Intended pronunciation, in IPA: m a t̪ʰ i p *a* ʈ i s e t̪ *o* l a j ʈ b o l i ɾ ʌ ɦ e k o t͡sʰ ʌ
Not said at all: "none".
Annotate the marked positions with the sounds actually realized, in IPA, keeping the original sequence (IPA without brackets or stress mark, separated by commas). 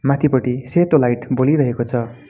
ʌ, o